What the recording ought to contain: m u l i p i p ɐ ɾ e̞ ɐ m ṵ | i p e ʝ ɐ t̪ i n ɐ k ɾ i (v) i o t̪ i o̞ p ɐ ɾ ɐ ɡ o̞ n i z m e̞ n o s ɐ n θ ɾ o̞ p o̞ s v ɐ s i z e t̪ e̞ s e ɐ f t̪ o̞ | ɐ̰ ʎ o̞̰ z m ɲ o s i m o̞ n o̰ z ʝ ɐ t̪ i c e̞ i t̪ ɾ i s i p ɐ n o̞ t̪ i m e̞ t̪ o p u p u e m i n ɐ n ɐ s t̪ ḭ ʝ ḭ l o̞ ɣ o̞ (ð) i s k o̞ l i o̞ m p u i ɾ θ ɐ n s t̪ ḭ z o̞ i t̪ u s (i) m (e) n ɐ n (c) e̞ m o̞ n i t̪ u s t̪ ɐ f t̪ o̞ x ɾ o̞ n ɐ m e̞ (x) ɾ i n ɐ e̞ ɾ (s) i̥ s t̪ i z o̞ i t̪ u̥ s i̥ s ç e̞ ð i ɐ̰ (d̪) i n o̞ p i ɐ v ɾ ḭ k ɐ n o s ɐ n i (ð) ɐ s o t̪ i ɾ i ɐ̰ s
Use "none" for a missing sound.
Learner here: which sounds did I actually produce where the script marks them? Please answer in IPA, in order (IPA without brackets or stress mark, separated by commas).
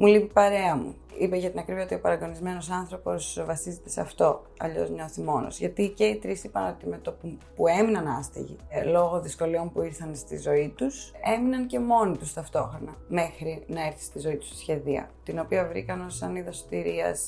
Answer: v, ð, e, i, c, x, θ, t̪, ð